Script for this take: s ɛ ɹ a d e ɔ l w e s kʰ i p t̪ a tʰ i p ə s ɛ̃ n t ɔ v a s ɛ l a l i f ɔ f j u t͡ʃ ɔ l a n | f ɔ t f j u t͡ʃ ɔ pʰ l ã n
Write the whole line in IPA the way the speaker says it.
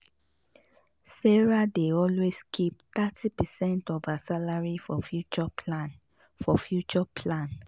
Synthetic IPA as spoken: s ɛ ɹ a d e ɔ l w e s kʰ i p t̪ a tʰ i p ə s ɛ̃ n t ɔ v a s a l a ɹ i f ɔ f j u t͡ʃ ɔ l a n | f ɔ f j u t͡ʃ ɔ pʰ l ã n